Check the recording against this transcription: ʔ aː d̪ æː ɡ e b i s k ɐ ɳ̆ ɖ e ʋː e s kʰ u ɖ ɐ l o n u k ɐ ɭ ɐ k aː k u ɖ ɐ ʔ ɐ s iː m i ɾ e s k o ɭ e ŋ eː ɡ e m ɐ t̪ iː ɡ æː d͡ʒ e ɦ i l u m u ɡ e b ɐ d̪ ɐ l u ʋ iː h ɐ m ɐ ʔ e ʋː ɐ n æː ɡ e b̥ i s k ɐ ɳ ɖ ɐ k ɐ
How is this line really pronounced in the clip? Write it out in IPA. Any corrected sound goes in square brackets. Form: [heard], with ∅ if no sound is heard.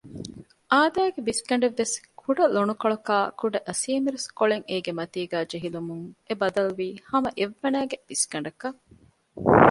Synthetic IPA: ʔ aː d̪ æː ɡ e b i s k ɐ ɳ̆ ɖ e ʋː e s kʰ u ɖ ɐ l o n u k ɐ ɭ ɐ k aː k u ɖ ɐ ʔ ɐ s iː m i ɾ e s k o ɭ e ŋ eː ɡ e m ɐ t̪ iː ɡ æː d͡ʒ e ɦ i l u m u [ŋ] e b ɐ d̪ ɐ l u ʋ iː h ɐ m ɐ ʔ e ʋː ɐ n æː ɡ e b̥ i s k ɐ ɳ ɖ ɐ k ɐ